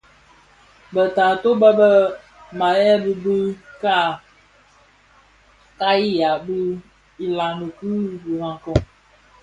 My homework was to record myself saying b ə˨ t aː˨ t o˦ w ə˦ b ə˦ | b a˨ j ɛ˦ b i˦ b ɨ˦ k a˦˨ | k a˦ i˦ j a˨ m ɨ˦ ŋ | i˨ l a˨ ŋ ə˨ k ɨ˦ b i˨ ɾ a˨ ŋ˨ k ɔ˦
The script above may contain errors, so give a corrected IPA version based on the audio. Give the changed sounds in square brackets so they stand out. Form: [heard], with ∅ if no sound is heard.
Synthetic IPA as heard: b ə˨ t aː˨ t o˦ [b] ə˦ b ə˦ | [m] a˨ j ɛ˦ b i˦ b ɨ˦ k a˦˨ | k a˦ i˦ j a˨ [b] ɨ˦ [∅] | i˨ l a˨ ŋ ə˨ k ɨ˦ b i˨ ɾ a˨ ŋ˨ k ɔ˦